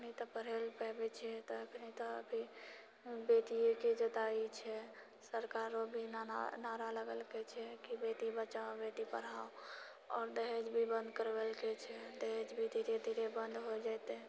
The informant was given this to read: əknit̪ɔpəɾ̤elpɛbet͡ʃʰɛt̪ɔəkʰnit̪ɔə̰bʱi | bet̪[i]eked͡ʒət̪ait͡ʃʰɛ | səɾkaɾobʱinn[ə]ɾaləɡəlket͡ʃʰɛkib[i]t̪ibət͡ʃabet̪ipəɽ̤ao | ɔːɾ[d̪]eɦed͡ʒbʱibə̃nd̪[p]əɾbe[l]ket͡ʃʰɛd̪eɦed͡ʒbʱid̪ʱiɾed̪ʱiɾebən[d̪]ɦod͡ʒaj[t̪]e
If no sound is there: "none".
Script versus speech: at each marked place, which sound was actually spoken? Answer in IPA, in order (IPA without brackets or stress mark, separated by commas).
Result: i, a, e, d̪, k, l, d̪, t̪